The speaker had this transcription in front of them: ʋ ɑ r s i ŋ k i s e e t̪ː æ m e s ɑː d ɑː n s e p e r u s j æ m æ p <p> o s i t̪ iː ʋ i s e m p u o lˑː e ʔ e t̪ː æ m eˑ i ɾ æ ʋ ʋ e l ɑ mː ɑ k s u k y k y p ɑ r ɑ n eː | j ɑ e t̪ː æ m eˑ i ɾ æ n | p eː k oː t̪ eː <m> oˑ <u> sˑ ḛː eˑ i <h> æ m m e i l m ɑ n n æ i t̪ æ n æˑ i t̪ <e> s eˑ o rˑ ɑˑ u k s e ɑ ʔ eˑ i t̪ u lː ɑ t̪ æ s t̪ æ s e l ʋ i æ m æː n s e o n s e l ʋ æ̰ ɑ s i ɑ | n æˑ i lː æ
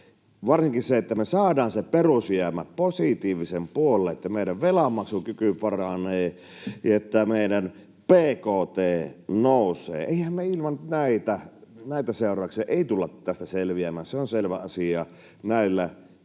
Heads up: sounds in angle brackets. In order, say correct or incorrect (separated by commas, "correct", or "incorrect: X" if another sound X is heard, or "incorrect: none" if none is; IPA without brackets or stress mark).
correct, incorrect: n, correct, correct, incorrect: æ